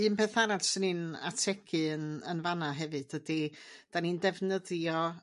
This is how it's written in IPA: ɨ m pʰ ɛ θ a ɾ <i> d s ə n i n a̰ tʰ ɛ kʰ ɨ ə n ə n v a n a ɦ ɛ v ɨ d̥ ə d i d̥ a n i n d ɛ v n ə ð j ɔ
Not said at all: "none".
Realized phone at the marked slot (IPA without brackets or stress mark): a